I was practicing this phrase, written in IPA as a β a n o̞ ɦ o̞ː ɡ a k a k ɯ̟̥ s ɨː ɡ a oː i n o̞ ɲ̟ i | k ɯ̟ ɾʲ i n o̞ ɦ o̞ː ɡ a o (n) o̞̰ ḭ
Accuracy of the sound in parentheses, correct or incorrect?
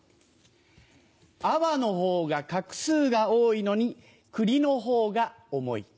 incorrect